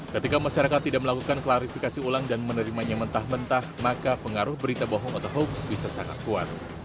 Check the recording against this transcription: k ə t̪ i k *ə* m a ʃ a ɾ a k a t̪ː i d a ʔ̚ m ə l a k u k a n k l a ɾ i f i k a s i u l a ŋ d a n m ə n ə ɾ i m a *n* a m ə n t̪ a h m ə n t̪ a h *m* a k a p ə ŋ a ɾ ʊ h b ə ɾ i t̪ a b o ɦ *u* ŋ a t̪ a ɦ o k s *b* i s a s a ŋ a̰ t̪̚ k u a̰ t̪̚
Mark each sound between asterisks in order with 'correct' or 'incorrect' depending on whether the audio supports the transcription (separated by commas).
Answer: incorrect, incorrect, correct, incorrect, correct